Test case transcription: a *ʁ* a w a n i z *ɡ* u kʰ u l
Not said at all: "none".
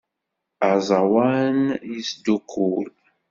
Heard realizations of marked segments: z, d

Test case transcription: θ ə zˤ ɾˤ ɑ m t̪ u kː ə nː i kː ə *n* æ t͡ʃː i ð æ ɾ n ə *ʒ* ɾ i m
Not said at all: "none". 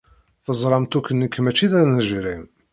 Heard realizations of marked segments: m, ʒ

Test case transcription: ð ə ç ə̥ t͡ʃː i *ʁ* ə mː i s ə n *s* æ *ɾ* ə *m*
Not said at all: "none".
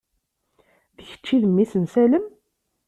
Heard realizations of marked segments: ð, s, l, m

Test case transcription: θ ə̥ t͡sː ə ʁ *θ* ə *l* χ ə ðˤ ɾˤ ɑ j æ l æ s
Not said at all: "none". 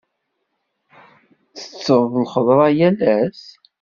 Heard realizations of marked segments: ð, l

